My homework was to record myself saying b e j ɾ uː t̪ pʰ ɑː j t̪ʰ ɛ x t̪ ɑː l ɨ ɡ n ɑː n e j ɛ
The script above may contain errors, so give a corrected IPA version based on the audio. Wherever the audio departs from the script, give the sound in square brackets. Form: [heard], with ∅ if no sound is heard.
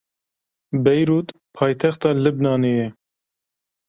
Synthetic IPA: b [ɛ] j ɾ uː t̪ pʰ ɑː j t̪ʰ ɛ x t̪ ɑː l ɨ [b] n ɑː n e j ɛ